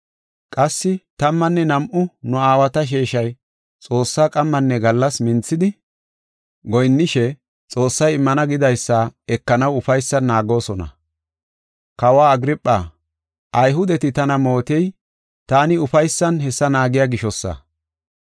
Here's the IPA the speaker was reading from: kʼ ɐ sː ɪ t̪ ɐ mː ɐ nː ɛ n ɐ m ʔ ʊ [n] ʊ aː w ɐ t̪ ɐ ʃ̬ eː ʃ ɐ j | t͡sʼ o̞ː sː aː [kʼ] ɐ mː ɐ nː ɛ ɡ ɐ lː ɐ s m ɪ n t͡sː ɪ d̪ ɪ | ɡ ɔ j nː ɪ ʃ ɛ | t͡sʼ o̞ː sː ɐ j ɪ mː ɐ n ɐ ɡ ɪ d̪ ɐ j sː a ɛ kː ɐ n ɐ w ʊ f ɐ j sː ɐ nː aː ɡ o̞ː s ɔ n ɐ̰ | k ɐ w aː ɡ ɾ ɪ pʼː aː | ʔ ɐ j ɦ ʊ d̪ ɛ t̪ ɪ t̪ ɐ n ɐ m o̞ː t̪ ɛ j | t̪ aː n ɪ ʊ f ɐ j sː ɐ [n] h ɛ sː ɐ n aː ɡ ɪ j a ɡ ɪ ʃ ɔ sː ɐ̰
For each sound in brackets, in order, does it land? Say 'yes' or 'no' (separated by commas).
yes, yes, yes